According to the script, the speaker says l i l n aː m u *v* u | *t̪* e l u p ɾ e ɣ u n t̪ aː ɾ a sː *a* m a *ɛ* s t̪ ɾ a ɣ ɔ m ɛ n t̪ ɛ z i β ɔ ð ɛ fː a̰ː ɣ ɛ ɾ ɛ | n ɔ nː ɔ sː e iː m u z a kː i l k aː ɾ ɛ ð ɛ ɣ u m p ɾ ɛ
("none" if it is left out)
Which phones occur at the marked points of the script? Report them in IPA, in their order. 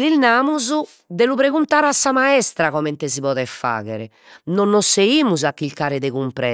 z, d̪, a, ɛ

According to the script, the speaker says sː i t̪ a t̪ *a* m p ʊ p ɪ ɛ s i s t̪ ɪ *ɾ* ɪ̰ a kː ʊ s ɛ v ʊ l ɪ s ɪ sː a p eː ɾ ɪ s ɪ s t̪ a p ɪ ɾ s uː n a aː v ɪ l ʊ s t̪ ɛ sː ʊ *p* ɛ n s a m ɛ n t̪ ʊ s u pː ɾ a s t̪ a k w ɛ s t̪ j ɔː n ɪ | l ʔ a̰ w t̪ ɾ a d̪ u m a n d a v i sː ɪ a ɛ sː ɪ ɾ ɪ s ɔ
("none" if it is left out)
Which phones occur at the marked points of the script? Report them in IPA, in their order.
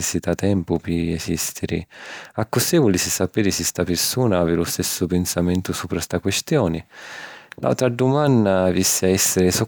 ɛ, ɾ, p

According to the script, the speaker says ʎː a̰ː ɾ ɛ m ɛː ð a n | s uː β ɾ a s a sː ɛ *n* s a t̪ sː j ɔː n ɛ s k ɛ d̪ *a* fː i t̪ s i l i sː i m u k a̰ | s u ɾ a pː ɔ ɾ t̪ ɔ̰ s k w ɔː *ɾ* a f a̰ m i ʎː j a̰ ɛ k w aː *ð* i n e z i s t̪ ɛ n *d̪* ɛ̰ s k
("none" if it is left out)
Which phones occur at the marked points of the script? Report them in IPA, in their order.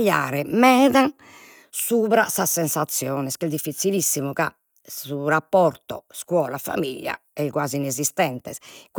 n, i, l, z, t̪

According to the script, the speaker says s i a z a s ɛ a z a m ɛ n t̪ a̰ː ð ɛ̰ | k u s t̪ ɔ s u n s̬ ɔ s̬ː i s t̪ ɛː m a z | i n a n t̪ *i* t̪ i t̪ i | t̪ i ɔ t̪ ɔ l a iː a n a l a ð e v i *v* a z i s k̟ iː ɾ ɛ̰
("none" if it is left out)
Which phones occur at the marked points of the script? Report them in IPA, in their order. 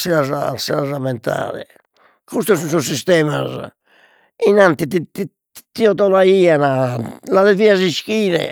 i, none

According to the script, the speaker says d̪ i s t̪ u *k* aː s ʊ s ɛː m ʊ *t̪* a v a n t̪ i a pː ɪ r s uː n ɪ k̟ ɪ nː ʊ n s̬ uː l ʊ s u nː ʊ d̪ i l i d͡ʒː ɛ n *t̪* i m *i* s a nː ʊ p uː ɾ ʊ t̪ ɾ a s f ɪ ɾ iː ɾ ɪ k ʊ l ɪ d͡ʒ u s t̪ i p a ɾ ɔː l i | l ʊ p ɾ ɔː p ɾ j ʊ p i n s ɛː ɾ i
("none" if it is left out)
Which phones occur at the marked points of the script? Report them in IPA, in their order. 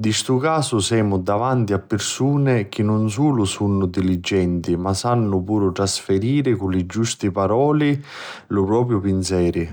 k, d̪, t̪, a

